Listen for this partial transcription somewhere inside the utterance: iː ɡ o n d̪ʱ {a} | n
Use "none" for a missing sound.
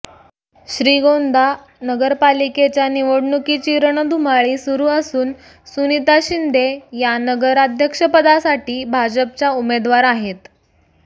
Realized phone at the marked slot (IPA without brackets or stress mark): a